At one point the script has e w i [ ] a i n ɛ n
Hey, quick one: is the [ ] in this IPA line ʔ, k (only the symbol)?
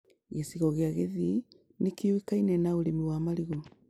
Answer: k